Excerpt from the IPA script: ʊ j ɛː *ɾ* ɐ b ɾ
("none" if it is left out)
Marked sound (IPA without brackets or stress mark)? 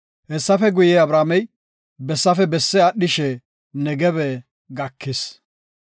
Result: none